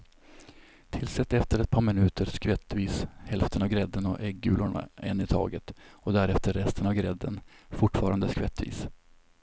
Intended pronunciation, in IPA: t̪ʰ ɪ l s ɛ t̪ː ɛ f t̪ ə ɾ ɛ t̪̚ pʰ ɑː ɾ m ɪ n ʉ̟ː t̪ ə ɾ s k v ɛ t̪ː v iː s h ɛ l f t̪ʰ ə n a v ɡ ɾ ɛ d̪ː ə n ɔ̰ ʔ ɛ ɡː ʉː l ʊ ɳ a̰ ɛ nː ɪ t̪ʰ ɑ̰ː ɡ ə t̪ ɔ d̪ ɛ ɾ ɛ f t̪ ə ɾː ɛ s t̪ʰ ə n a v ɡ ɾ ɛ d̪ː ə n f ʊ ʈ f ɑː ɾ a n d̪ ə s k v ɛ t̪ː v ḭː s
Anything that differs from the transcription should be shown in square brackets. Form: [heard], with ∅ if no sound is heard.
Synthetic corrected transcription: t̪ʰ ɪ l s ɛ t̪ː ɛ f t̪ ə ɾ ɛ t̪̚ pʰ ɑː ɾ m ɪ n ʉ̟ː t̪ ə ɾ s k v ɛ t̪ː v iː s h ɛ l f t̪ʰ ə n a v ɡ ɾ ɛ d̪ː ə n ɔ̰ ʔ ɛ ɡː ʉː l ʊ ɳ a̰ ɛ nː ɪ t̪ʰ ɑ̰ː ɡ ə t̪ ɔ d̪ [æ] ɾ ɛ f t̪ ə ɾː ɛ s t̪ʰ ə n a v ɡ ɾ ɛ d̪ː ə n f ʊ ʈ f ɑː ɾ a n d̪ ə s k v ɛ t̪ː v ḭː s